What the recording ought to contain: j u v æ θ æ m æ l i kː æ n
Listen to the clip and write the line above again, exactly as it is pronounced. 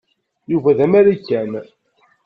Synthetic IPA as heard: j u v æ ð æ m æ ɾ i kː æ n